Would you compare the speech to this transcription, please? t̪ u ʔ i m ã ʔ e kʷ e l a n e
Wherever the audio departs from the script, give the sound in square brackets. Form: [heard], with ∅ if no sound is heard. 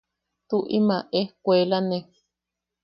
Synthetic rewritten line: t̪ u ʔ i m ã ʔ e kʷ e l a n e